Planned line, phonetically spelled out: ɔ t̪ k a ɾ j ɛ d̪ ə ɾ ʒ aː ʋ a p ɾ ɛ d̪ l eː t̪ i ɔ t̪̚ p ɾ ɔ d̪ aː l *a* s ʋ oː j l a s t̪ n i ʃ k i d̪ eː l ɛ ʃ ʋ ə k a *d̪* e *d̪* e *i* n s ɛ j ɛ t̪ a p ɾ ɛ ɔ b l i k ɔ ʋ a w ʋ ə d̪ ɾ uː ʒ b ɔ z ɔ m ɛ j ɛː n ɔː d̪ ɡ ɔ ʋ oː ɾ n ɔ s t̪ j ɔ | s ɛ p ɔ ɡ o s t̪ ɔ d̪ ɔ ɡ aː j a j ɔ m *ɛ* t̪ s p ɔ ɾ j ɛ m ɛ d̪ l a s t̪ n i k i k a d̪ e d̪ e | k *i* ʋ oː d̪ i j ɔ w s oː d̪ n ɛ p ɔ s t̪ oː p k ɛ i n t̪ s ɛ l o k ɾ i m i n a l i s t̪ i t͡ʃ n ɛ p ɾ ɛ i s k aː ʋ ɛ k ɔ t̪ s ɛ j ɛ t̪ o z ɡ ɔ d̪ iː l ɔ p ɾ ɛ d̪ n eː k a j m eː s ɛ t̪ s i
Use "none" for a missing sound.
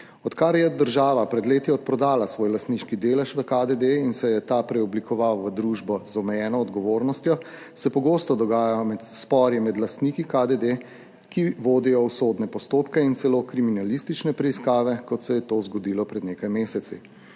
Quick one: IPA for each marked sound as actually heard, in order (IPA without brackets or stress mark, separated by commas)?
a, d̪, d̪, i, ɛ, i